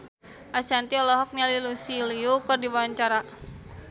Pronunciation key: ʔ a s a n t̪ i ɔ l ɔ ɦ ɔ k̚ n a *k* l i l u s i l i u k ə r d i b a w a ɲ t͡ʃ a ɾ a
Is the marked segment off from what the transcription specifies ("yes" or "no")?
yes